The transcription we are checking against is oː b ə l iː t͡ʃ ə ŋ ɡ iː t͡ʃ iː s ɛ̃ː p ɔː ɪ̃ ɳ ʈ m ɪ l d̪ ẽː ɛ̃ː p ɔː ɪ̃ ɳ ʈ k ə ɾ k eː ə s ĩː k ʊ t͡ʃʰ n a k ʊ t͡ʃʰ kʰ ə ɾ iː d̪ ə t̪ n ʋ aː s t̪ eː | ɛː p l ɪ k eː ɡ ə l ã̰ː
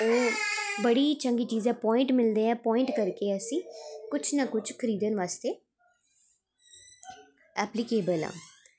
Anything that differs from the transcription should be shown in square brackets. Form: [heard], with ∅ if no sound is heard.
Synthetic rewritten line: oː b ə [ɽ] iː t͡ʃ ə ŋ ɡ iː t͡ʃ iː [z] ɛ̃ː p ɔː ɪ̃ ɳ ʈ m ɪ l d̪ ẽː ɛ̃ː p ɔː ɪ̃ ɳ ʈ k ə ɾ k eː ə s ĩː k ʊ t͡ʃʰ n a k ʊ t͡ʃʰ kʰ ə ɾ iː d̪ ə [∅] n ʋ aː s t̪ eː | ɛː p l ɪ k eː [b] ə l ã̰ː